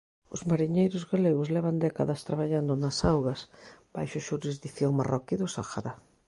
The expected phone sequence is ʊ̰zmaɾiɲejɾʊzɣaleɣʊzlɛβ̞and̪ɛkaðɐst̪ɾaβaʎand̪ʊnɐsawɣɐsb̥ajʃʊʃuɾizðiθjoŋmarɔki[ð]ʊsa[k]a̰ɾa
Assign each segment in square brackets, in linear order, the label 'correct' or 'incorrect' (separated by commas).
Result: correct, incorrect